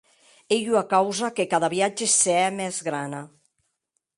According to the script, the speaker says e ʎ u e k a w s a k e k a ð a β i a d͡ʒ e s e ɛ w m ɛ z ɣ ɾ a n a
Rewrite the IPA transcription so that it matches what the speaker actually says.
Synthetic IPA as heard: e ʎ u a k a w z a k e k a ð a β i a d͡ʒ e s e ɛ m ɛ z ɣ ɾ a n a